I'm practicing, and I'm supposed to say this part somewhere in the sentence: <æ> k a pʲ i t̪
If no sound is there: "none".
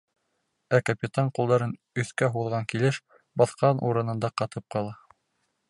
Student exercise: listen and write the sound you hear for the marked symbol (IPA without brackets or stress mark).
æ